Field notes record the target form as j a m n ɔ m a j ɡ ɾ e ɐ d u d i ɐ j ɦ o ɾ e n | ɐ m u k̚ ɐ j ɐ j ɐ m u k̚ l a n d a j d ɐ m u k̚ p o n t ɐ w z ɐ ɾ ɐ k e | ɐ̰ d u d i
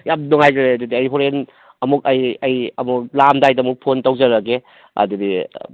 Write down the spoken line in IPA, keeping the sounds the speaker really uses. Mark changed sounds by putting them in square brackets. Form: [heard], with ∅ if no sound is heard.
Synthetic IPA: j a m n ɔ [ŋ] a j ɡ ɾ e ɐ d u d i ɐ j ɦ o ɾ e n | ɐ m u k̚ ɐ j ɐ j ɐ m u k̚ l a [m] d a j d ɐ m u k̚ [pʰ] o n t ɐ w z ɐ ɾ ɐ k e | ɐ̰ d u d i